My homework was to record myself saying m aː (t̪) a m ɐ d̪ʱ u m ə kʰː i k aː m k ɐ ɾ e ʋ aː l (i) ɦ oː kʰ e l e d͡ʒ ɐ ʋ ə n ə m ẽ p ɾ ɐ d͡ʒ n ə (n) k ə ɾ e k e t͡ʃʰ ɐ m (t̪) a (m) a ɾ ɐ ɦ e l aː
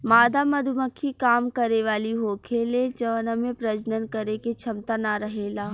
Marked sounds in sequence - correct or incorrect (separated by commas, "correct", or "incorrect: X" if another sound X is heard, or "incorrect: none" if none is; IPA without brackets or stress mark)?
incorrect: d̪, correct, correct, correct, incorrect: n